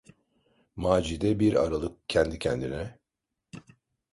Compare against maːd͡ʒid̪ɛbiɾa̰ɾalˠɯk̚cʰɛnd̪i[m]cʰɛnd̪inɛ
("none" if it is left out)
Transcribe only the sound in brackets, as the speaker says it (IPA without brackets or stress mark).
none